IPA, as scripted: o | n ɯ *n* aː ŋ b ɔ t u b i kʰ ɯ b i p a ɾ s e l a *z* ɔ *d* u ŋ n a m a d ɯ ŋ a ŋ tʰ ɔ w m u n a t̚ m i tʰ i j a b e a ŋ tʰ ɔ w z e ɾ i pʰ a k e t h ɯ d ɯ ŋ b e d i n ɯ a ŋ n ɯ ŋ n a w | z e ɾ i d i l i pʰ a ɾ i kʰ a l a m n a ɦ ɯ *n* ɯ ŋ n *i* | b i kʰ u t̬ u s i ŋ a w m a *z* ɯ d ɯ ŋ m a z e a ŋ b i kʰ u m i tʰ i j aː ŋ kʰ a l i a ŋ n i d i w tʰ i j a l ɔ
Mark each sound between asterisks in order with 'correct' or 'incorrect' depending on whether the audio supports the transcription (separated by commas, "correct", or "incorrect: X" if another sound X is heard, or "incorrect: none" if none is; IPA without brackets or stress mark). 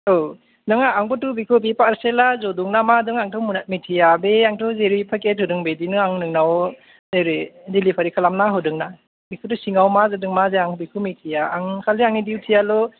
incorrect: ŋ, correct, correct, incorrect: d, incorrect: a, correct